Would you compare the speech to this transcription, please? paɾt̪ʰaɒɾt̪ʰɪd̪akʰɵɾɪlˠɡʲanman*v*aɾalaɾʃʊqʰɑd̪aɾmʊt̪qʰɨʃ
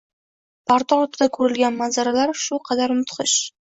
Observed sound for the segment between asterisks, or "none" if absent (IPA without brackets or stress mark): z